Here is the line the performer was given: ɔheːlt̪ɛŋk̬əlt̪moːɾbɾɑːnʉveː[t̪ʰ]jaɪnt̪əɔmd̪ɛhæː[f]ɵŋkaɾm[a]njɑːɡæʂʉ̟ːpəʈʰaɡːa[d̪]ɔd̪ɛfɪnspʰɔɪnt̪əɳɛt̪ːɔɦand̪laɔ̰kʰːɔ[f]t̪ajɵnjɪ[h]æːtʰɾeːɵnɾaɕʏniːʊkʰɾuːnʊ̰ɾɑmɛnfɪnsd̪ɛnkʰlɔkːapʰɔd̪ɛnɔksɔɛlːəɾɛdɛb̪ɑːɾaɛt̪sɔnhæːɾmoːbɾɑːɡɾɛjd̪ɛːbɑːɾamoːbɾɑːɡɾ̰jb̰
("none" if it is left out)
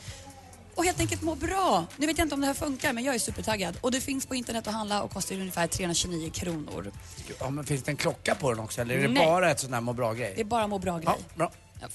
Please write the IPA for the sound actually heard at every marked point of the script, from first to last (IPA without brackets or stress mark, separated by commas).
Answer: t̪, f, ɛ, d̪, s, f